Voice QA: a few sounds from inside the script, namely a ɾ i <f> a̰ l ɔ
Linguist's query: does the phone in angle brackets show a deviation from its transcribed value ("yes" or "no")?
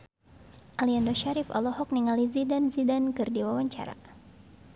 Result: no